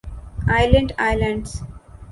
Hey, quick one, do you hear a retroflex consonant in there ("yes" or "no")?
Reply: yes